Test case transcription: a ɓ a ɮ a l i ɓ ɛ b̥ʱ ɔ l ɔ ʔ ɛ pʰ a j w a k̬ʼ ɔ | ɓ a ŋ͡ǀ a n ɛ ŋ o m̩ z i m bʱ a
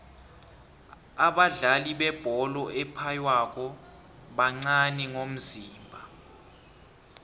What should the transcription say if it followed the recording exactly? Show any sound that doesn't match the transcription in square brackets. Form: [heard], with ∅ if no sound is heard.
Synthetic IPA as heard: a ɓ a ɮ a l i ɓ ɛ b̥ʱ ɔ l ɔ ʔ ɛ pʰ a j w a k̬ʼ ɔ | ɓ a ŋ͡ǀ a n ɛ ŋ o m̩ z [iː] m bʱ a